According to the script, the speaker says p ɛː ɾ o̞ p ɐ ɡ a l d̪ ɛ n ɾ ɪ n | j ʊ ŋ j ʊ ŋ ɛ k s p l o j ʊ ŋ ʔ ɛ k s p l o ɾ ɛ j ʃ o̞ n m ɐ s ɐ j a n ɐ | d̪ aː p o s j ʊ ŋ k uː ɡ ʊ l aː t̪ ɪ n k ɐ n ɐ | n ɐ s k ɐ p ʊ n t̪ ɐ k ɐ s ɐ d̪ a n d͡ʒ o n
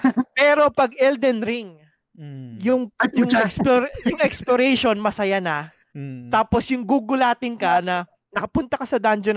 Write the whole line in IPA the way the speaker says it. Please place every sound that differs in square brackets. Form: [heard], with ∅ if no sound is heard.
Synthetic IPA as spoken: p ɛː ɾ o̞ p ɐ ɡ [ɛ] l d̪ ɛ n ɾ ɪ [ŋ] | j ʊ ŋ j ʊ ŋ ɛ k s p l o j ʊ ŋ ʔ ɛ k s p l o ɾ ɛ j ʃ o̞ n m ɐ s ɐ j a n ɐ | [t̪] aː p o s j ʊ ŋ [ɡ] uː ɡ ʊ l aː t̪ ɪ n k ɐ n ɐ | n ɐ [∅] k ɐ p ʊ n t̪ ɐ k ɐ s ɐ d̪ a n d͡ʒ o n